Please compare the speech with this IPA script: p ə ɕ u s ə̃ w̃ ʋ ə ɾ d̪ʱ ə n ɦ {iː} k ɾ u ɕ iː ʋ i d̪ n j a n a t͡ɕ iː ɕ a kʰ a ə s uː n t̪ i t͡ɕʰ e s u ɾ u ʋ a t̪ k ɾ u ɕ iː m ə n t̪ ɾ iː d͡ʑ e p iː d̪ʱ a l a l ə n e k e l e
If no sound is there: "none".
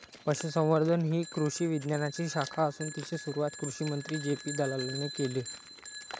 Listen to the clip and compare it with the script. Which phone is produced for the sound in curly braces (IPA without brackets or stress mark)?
iː